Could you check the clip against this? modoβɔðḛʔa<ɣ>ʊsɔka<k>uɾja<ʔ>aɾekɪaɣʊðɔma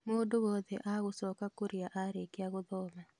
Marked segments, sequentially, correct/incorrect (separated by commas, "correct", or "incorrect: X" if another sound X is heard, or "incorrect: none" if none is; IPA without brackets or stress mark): correct, correct, correct